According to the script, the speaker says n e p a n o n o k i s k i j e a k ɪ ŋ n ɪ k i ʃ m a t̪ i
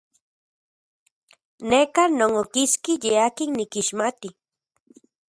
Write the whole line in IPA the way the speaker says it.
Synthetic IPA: n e k a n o ŋ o k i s k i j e a k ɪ ŋ n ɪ k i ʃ m a t̪ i